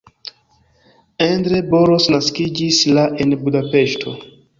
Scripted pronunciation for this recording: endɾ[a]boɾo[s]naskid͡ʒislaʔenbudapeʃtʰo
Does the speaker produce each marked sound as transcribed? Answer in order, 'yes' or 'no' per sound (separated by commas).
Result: no, yes